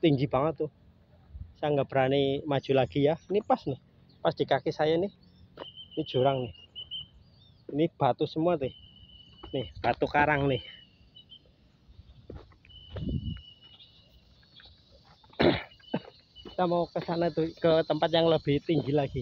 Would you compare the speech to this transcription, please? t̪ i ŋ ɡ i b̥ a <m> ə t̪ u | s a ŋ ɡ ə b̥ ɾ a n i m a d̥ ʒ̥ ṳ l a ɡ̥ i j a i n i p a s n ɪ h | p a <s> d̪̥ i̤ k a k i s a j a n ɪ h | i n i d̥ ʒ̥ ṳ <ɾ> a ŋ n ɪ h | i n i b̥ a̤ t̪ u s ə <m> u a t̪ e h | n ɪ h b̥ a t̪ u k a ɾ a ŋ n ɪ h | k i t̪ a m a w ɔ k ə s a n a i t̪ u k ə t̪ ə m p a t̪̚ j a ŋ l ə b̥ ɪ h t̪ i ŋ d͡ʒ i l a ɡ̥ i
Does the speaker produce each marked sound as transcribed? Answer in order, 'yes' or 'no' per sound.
no, yes, yes, yes

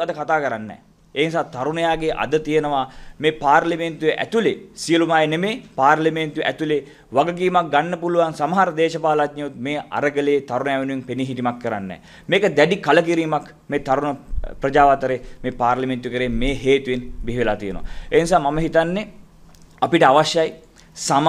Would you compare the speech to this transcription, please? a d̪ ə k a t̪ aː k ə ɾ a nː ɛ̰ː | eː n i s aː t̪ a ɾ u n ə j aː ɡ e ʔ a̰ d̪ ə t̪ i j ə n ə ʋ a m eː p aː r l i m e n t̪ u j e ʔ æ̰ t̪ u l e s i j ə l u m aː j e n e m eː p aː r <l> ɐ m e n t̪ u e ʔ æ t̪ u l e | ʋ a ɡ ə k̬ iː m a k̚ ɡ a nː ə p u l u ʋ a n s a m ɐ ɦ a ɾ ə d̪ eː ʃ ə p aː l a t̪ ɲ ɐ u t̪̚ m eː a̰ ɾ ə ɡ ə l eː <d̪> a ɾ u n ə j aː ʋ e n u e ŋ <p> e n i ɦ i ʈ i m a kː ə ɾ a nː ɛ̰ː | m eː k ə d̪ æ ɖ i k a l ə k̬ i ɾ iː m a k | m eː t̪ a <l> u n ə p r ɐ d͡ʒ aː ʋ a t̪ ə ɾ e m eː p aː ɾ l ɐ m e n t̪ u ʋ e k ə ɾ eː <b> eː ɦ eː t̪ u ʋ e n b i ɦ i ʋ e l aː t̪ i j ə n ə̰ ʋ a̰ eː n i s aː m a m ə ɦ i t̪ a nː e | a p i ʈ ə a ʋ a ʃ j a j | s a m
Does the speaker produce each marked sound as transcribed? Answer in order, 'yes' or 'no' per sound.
yes, no, yes, no, no

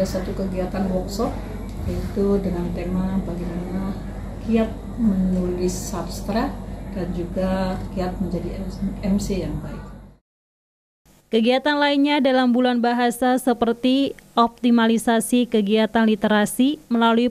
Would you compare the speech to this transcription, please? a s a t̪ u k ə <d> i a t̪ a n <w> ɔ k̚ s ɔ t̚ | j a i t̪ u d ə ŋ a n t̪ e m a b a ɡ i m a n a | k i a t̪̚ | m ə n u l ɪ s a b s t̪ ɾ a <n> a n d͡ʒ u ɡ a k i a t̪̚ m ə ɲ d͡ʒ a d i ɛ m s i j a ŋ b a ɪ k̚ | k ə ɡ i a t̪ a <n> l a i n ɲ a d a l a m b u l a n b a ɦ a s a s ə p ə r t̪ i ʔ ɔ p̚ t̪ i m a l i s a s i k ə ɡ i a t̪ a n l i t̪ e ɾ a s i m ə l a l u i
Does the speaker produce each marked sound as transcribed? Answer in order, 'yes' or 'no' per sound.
no, yes, no, yes

